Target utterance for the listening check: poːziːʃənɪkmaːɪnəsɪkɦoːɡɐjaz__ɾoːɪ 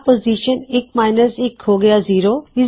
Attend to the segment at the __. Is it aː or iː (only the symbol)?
iː